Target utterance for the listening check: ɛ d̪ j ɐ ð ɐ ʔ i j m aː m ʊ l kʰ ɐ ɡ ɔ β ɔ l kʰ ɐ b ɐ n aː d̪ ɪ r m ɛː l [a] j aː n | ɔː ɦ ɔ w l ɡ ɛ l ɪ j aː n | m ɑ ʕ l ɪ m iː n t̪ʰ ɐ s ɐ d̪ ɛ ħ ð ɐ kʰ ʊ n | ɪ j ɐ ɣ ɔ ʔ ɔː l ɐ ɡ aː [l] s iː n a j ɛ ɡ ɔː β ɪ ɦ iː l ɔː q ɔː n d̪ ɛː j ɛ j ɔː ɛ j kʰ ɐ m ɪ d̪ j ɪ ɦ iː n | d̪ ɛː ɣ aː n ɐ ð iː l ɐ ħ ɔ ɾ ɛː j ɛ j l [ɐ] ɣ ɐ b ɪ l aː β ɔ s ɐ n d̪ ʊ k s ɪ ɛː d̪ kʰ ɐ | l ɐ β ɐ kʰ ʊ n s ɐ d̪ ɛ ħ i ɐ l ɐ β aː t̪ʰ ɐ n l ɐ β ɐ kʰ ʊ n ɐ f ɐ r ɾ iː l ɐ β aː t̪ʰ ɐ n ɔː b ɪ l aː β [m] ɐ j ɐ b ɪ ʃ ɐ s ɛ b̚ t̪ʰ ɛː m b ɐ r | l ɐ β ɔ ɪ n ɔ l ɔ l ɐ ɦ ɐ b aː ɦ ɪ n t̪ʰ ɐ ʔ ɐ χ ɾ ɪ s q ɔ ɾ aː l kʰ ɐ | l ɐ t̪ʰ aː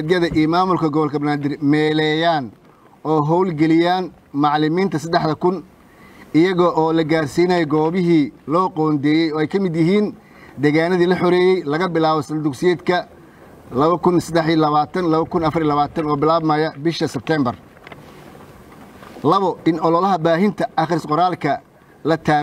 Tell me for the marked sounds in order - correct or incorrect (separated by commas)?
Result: incorrect, incorrect, correct, correct